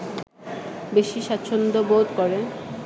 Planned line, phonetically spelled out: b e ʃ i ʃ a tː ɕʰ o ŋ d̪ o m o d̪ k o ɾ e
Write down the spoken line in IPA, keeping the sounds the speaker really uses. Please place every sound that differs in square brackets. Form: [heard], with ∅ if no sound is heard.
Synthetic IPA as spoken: b e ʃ i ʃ a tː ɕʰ o [n] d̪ o [b] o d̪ k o ɾ e